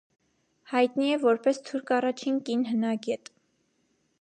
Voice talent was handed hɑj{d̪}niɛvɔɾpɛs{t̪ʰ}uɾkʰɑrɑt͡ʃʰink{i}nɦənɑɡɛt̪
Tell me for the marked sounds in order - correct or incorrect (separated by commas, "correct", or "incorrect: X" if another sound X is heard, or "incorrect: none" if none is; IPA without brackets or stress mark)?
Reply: incorrect: t̪, correct, correct